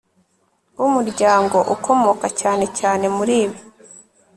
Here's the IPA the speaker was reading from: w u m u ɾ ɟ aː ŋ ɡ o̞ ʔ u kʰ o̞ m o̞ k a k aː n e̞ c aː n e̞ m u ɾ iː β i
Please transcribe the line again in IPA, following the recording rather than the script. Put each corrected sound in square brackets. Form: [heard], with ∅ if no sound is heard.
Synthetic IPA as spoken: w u m u ɾ ɟ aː ŋ ɡ o̞ ʔ u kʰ o̞ m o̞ k a [c] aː n e̞ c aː n e̞ m u ɾ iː β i